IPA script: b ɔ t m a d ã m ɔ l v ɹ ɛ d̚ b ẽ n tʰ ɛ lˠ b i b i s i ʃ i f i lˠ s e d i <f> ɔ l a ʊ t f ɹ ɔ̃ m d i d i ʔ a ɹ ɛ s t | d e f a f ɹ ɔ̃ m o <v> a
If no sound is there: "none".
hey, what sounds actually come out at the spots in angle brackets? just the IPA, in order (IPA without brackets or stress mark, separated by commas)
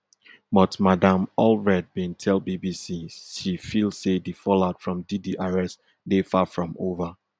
f, v